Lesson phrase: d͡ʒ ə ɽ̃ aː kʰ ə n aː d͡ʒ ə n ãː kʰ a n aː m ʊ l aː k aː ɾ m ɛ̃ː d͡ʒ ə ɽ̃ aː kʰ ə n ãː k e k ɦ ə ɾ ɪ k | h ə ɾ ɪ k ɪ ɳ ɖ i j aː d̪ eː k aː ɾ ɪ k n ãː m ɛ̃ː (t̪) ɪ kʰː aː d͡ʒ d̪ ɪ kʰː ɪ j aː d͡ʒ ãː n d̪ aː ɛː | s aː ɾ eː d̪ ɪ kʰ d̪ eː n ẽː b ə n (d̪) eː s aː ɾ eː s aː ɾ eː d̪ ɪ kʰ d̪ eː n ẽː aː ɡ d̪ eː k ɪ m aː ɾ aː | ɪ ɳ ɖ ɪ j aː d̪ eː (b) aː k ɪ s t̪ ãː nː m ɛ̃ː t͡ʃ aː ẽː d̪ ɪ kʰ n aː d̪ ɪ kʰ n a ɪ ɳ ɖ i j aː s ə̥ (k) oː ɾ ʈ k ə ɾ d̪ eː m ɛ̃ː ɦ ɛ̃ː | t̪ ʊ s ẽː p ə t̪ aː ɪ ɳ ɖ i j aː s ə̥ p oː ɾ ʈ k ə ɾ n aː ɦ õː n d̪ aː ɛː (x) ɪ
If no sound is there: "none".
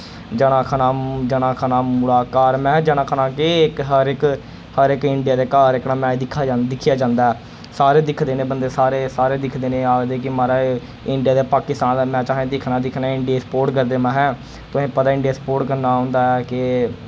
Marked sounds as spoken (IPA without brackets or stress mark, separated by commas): d̪, d̪, p, p, k